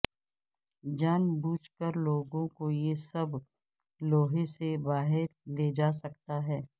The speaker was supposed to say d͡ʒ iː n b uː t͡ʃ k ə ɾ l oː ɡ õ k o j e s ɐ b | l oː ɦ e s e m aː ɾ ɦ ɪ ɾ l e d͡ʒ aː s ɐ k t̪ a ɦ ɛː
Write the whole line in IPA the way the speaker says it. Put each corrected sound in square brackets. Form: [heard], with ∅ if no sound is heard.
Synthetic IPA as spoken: d͡ʒ [aː] n b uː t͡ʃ k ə ɾ l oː ɡ õ k o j e s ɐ b | l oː ɦ e s e [b] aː [∅] ɦ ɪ ɾ l e d͡ʒ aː s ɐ k t̪ a ɦ ɛː